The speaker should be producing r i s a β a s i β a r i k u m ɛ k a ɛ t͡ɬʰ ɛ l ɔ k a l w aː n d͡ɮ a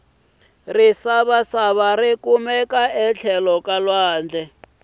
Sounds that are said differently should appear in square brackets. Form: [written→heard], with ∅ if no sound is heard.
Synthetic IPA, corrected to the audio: r i s a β a s [i→a] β a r i k u m ɛ k a ɛ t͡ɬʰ ɛ l ɔ k a l w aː n d͡ɮ [a→ɛ]